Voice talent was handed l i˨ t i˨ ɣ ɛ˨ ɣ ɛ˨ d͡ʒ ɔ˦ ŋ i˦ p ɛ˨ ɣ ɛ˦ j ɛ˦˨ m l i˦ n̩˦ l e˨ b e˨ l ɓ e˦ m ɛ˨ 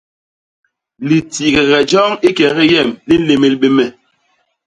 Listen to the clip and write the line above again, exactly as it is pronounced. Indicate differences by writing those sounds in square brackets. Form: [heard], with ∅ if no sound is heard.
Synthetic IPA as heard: l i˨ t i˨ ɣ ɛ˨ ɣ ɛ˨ d͡ʒ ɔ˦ ŋ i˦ [k] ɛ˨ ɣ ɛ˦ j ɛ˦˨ m l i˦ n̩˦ l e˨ [m] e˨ l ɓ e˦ m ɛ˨